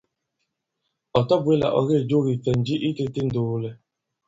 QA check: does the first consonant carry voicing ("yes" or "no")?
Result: no